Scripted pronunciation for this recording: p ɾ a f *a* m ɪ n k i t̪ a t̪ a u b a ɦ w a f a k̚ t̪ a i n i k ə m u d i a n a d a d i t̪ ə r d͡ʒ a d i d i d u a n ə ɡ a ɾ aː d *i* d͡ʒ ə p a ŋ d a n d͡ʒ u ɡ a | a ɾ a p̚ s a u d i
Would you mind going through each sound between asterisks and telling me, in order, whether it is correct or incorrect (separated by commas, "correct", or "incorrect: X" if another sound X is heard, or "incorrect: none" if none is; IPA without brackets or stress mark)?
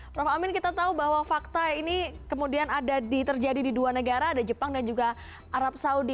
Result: correct, incorrect: a